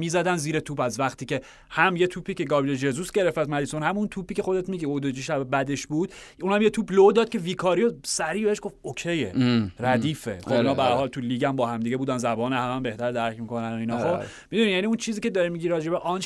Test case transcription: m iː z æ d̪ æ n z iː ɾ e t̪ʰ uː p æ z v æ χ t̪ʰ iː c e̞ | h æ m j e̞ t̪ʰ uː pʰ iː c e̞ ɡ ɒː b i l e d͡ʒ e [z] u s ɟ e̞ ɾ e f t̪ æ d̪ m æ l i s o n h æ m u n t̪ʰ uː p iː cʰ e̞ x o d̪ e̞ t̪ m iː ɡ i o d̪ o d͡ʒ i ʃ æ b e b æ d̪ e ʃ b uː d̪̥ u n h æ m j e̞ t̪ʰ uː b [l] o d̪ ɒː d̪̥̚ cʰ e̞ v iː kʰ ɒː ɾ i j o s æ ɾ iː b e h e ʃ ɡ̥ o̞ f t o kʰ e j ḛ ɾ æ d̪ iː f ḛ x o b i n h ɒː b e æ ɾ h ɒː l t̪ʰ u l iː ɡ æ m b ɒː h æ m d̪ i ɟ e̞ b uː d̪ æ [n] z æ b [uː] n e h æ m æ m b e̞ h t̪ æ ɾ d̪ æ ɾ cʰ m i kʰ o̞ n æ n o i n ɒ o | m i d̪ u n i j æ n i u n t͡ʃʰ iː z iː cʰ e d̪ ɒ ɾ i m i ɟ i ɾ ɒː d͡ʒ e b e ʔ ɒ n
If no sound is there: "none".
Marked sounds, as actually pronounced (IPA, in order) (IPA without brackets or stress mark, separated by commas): z, l, n, ɒː